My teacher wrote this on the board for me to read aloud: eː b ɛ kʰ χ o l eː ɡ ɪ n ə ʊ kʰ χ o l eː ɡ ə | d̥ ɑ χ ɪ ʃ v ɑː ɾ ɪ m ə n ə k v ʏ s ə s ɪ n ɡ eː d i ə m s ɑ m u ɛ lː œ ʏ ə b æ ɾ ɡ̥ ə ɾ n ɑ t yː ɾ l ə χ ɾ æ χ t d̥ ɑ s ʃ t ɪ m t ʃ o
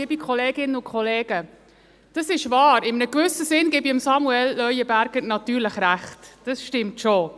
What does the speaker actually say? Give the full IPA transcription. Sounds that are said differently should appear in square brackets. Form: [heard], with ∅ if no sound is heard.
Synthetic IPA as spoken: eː b [i] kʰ χ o l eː ɡ ɪ n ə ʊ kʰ χ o l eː ɡ ə | d̥ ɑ [s] ɪ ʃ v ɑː ɾ ɪ m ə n ə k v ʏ s ə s ɪ n ɡ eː [b] i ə m s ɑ m u ɛ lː œ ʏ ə b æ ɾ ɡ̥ ə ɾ n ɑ t yː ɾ l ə χ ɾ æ χ t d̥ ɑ s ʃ t ɪ m t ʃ o